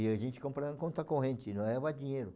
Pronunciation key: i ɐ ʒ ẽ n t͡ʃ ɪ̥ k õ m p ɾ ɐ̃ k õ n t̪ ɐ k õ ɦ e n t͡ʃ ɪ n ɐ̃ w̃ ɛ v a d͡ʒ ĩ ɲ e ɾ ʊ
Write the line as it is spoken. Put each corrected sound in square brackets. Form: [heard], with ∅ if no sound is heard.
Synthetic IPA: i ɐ ʒ ẽ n t͡ʃ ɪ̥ k õ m p ɾ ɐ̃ k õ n t̪ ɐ k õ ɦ [ẽ] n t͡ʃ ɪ n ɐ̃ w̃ ɛ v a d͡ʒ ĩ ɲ e ɾ ʊ